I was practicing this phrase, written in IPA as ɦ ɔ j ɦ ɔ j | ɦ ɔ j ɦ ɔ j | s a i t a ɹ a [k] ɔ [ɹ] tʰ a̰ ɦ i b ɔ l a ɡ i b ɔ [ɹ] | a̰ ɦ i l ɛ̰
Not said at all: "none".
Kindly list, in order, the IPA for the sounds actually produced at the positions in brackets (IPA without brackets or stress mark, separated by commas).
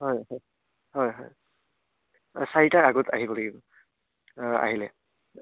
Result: ɡ, none, none